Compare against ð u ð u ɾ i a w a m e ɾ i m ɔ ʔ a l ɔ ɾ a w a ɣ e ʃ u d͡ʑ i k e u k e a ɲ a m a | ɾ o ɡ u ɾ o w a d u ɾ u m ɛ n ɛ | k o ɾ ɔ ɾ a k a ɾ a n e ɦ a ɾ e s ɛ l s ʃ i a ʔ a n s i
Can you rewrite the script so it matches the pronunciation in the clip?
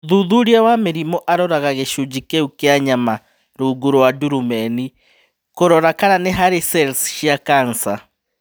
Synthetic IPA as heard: ð u ð u ɾ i a w a m e ɾ i m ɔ ʔ a ɾ ɔ ɾ a ɣ a ɣ e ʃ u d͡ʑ i k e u k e a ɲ a m a | ɾ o ɡ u ɾ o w a d u ɾ u m ɛ n i | k o ɾ ɔ ɾ a k a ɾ a n e ɦ a ɾ e s ɛ l s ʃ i a k a n s a